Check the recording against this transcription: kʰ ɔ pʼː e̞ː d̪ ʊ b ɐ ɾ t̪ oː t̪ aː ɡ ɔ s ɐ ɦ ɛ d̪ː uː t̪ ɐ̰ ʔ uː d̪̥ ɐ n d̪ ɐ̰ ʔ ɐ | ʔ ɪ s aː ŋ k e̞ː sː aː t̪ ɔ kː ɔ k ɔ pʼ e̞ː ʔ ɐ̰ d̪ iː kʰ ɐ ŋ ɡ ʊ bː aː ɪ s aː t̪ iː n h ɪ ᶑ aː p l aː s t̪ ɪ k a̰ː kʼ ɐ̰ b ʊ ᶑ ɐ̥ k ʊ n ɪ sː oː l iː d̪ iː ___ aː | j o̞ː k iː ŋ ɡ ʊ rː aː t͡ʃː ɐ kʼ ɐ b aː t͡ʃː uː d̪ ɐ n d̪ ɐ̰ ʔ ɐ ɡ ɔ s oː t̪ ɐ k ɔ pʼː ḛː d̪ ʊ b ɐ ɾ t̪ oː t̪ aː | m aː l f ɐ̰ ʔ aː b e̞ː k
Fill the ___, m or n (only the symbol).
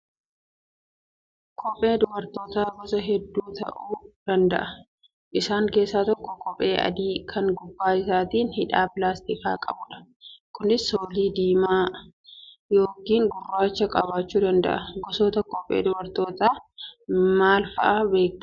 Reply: m